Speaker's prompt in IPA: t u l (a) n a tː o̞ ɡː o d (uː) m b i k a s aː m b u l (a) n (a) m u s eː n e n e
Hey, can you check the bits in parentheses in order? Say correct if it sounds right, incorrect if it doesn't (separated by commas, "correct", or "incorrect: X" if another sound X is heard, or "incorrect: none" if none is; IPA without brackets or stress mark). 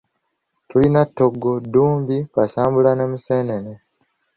incorrect: i, correct, correct, incorrect: e